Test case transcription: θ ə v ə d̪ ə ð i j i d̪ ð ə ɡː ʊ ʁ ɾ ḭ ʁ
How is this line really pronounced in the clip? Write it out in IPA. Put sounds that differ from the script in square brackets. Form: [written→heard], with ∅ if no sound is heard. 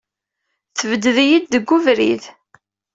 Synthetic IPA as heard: θ ə v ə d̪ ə ð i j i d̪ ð ə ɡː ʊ [ʁ→v] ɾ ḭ [ʁ→ð]

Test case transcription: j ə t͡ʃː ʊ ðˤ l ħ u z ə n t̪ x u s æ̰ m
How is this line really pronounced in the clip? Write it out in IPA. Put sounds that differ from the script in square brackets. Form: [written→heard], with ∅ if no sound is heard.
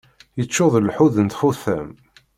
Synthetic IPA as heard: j ə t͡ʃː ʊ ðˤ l ħ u [z→ð] ə n t̪ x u [s→θ] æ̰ m

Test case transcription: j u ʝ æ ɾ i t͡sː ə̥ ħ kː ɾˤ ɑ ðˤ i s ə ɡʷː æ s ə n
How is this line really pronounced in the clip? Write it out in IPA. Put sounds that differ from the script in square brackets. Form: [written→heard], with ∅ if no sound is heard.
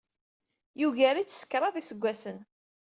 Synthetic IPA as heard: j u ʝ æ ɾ i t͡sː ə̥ [ħ→s] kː ɾˤ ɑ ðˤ i s ə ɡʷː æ s ə n

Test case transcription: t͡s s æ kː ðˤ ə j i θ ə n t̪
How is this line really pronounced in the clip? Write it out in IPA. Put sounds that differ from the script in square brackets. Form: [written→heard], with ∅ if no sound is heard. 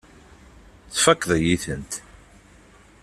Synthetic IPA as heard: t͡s [s→f] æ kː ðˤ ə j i θ ə n t̪

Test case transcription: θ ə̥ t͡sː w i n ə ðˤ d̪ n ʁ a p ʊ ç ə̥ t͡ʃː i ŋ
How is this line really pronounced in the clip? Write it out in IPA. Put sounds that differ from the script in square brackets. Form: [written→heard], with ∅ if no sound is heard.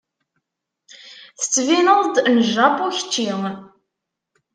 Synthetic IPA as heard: θ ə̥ t͡sː [w→v] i n ə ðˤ d̪ n [ʁ→ʒ] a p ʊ ç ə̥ t͡ʃː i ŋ

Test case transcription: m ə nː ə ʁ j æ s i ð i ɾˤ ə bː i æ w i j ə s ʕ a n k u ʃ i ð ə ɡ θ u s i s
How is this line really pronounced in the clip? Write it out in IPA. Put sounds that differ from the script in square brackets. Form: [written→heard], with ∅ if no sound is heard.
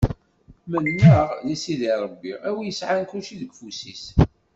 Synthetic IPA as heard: m ə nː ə ʁ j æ s i ð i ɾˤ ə bː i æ w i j ə s ʕ a n k u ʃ i ð ə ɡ [θ→f] u s i s

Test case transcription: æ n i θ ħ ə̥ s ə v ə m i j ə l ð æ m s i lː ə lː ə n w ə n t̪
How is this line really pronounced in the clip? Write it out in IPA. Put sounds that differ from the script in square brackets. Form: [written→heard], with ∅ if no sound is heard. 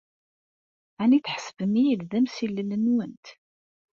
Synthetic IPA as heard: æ n i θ ħ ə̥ s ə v ə m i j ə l ð æ m s i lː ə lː ə n w ə n t̪

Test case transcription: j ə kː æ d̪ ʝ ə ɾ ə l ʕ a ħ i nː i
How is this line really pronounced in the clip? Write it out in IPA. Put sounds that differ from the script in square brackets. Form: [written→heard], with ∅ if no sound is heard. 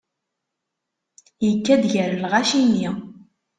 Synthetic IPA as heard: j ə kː æ d̪ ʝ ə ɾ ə l [ʕ→ʁ] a [ħ→ʃ] i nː i

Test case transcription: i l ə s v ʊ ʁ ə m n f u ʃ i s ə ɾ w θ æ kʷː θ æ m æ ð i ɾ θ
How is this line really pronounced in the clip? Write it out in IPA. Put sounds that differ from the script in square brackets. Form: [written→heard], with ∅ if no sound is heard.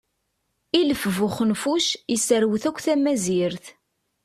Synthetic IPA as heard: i l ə [s→f] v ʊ [ʁ→χ] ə [m→∅] n f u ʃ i s ə ɾ w θ æ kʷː θ æ m æ [ð→z] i ɾ θ

